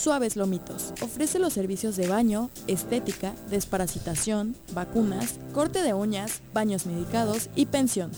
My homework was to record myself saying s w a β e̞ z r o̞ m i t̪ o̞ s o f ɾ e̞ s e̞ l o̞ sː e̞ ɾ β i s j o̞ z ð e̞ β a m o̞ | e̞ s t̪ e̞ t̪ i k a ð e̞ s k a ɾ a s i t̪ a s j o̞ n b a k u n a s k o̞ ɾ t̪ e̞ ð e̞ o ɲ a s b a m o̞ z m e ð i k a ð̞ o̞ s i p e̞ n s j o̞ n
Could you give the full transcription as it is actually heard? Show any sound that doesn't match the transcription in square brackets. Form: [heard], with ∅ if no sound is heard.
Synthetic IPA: s w a β e̞ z [l] o̞ m i t̪ o̞ s o f ɾ e̞ s e̞ l o̞ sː e̞ ɾ β i s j o̞ z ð e̞ β a [ɲ] o̞ | e̞ s t̪ e̞ t̪ i k a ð e̞ s [p] a ɾ a s i t̪ a s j o̞ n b a k u n a s k o̞ ɾ t̪ e̞ ð e̞ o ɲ a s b a [ɲ] o̞ z m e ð i k a ð̞ o̞ s i p e̞ n s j o̞ n